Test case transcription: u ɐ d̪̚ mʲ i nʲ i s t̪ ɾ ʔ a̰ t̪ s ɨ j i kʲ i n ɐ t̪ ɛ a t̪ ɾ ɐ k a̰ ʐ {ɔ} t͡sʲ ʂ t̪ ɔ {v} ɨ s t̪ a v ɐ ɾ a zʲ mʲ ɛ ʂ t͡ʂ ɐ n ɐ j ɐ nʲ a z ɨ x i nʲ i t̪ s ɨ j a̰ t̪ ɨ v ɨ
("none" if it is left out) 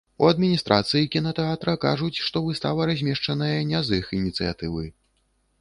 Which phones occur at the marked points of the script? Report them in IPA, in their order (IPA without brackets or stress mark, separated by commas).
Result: u, v